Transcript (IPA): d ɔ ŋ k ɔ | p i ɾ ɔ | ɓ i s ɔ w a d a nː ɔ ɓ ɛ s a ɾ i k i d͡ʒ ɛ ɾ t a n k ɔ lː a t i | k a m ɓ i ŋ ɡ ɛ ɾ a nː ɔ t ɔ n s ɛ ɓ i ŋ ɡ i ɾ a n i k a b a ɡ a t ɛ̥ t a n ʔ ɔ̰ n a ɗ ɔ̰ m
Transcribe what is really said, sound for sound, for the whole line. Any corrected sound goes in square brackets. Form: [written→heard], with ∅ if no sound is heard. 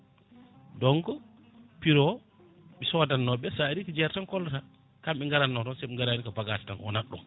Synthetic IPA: d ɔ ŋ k ɔ | p i ɾ ɔ | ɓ i s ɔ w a d a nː ɔ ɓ ɛ s a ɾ i k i d͡ʒ ɛ ɾ t a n k ɔ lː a t [i→a] | k a m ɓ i ŋ ɡ [ɛ→a] ɾ a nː ɔ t ɔ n s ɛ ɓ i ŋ ɡ [i→a] ɾ a n i k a b a ɡ a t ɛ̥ t a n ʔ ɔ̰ n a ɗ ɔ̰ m